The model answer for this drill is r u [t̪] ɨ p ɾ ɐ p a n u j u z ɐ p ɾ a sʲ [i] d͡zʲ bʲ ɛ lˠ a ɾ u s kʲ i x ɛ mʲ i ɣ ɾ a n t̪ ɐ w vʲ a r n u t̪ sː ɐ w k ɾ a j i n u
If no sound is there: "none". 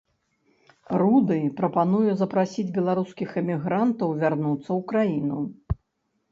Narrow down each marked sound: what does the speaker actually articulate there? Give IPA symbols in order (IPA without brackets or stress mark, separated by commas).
d̪, i